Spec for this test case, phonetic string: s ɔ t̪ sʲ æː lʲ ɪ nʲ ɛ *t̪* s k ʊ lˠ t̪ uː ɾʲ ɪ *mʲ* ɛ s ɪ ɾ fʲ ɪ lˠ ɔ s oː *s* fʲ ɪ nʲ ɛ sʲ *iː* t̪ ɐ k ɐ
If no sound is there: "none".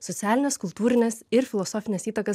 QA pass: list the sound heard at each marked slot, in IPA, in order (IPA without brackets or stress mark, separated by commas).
none, nʲ, none, iː